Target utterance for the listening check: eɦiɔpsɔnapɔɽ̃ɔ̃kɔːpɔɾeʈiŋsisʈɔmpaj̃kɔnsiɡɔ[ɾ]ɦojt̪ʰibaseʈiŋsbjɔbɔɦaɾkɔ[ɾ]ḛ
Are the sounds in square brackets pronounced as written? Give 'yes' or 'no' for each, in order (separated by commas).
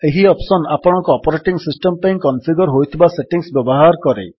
yes, yes